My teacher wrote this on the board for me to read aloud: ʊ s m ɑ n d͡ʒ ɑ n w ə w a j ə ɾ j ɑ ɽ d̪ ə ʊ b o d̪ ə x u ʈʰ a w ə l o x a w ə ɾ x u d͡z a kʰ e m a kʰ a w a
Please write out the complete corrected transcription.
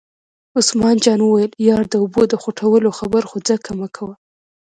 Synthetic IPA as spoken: ʊ s m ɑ n d͡ʒ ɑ n w ə w a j ə l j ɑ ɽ d̪ ə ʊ b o d̪ ə x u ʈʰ a w ə l o x a b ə ɾ x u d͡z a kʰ a m a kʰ a w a